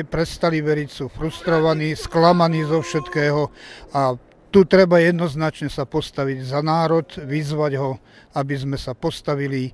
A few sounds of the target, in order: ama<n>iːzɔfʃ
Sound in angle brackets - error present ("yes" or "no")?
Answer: no